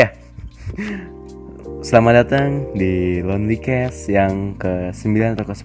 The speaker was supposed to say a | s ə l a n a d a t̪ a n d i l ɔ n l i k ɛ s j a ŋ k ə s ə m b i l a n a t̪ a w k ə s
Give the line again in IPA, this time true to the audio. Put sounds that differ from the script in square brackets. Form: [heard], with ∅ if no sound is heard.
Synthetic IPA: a | s ə l a [m] a d a t̪ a [ŋ] d i l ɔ n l i k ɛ s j a ŋ k ə s ə m b i l a n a t̪ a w k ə s